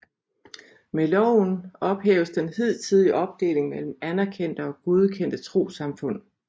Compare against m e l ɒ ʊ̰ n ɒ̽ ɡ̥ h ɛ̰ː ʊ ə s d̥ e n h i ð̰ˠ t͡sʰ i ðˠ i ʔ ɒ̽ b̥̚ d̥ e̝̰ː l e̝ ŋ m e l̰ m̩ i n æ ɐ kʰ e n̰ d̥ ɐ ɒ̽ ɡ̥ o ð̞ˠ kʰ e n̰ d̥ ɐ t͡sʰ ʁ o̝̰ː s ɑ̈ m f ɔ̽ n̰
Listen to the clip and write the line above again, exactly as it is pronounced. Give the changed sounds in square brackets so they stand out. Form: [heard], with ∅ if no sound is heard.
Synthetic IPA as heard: m e l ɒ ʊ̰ n ɒ̽ [b̥] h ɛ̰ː ʊ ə s d̥ e n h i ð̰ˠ t͡sʰ i ðˠ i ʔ ɒ̽ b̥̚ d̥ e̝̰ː l e̝ ŋ m e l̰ m̩ [æ] n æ ɐ kʰ e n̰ d̥ [ə] ɒ̽ ɡ̥ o ð̞ˠ kʰ e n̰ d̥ [ə] t͡sʰ ʁ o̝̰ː s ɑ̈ m f ɔ̽ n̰